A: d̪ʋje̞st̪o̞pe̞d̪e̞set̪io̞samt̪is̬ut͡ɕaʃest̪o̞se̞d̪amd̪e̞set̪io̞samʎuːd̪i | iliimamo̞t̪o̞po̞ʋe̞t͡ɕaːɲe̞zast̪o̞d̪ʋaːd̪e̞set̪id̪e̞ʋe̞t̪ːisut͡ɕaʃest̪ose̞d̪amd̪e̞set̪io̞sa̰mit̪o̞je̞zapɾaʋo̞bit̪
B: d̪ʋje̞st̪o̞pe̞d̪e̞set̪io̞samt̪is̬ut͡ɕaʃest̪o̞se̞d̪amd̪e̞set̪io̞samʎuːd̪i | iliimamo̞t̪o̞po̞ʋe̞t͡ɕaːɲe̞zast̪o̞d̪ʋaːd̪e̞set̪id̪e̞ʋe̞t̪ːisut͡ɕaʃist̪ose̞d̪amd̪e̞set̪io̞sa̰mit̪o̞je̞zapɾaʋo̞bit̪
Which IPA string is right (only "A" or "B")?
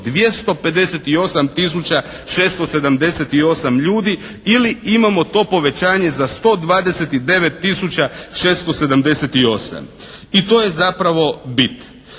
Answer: A